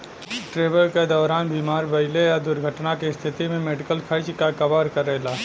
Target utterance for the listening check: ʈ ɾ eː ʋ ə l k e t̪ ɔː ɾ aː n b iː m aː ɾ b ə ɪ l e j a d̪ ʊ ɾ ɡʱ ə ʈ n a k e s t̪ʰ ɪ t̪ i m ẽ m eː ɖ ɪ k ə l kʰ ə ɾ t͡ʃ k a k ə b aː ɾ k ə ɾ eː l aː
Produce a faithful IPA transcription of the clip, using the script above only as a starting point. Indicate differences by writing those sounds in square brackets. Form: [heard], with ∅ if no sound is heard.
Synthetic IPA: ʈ ɾ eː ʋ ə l k e [d̪] ɔː ɾ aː n b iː m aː ɾ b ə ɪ l e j a d̪ ʊ ɾ ɡʱ ə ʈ n a k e s t̪ʰ ɪ t̪ i m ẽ m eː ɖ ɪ k ə l kʰ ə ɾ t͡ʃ k a k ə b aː ɾ k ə ɾ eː l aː